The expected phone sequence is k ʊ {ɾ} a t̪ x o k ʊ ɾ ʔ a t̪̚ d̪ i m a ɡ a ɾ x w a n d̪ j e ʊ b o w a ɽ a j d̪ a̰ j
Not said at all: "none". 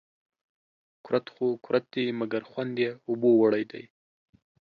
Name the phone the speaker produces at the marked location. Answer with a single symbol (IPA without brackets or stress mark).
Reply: ɾ